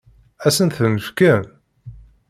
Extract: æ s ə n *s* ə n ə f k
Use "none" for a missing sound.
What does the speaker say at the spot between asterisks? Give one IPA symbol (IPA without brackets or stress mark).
θ